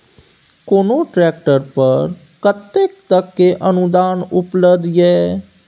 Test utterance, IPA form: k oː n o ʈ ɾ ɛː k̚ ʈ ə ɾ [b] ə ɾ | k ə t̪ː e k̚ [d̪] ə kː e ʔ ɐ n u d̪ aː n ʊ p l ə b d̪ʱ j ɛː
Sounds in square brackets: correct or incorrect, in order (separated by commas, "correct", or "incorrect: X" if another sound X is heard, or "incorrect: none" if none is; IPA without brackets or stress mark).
incorrect: p, incorrect: t̪